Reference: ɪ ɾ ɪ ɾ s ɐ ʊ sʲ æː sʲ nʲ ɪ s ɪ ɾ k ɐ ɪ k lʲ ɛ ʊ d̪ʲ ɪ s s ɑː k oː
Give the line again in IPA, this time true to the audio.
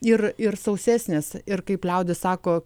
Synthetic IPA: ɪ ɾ ɪ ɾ s ɐ ʊ sʲ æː sʲ nʲ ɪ s ɪ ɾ k ɐ ɪ p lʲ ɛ ʊ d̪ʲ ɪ s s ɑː k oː